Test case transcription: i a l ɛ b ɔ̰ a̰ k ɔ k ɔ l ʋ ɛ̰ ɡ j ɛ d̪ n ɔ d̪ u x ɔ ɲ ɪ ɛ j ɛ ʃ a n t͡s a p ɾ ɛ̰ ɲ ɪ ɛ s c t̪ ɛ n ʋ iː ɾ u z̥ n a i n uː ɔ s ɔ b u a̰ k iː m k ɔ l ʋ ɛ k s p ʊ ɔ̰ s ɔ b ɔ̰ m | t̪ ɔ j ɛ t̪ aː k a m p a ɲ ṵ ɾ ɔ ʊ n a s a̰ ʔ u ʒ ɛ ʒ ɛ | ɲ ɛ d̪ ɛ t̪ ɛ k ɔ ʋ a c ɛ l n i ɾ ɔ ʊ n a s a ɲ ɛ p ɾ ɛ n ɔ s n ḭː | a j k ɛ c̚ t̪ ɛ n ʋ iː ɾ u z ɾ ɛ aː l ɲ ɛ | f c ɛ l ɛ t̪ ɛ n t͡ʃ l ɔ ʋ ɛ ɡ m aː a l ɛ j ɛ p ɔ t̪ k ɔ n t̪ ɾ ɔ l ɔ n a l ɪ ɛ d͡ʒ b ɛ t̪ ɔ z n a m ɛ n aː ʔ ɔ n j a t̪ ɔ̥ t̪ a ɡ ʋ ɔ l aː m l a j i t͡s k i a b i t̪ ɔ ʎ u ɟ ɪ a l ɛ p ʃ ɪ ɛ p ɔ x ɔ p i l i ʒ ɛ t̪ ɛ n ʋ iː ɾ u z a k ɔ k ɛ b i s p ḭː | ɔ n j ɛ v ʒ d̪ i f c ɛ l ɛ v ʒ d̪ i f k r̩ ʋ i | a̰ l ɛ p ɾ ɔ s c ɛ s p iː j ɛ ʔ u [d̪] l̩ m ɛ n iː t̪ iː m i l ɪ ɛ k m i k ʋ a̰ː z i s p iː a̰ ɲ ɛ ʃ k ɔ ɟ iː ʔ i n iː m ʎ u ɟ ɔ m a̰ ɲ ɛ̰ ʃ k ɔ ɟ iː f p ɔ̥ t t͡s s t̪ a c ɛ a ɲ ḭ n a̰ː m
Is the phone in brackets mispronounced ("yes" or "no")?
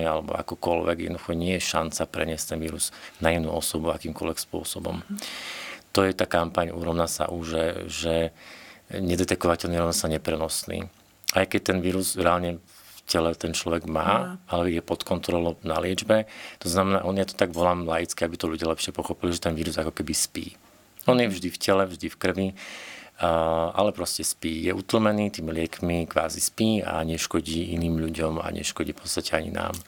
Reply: yes